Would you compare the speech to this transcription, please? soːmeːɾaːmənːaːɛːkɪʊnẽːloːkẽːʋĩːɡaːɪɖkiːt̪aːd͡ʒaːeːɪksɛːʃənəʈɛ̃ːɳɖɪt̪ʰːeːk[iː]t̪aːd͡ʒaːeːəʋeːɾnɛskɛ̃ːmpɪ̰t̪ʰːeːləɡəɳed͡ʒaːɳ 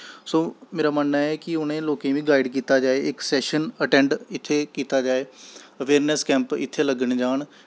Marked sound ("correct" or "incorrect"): correct